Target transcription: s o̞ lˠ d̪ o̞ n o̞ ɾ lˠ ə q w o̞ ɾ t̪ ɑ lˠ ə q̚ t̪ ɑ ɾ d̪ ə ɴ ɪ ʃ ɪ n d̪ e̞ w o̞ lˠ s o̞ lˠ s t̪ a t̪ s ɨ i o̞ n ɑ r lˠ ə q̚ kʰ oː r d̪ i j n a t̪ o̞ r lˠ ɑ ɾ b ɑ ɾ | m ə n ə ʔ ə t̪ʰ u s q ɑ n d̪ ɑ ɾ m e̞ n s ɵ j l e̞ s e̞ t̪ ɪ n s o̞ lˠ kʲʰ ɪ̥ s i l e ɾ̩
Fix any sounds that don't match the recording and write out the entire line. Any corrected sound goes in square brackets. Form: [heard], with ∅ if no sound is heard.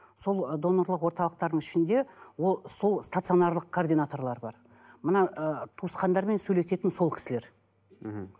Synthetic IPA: s o̞ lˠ d̪ o̞ n o̞ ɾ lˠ ə q w o̞ ɾ t̪ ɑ lˠ ə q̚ t̪ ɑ ɾ d̪ ə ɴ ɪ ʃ ɪ n d̪ e̞ w o̞ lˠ s o̞ lˠ s t̪ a t̪ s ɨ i o̞ n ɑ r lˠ ə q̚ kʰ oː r d̪ i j n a t̪ o̞ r lˠ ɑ ɾ b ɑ ɾ | m ə n [ɑ] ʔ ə t̪ʰ u s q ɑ n d̪ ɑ ɾ m e̞ n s ɵ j l e̞ s e̞ t̪ ɪ n s o̞ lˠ kʲʰ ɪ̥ s [ɪ] l e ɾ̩